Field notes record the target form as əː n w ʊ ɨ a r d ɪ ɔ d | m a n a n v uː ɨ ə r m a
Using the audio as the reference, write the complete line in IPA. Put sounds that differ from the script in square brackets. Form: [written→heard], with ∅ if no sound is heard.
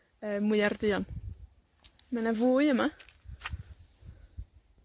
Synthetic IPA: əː [n→m] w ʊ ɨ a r d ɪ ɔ [d→n] | m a n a [n→∅] v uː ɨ ə [r→∅] m a